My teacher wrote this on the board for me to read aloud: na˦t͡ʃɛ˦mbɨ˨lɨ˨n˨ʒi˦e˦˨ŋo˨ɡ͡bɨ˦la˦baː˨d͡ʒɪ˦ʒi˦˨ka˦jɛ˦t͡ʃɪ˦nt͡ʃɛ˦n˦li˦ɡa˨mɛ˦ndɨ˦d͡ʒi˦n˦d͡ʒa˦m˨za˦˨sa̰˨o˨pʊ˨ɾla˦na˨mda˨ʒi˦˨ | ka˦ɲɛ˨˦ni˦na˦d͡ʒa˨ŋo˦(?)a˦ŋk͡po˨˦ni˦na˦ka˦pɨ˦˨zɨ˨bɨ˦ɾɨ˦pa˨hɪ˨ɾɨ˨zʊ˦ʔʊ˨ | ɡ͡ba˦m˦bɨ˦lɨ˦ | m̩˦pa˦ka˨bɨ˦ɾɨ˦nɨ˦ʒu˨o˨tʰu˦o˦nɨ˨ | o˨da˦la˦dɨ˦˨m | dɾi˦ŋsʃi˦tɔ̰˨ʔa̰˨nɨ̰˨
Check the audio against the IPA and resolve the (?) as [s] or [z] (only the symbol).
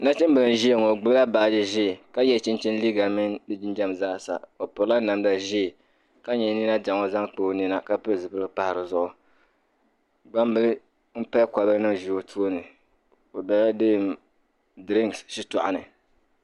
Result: z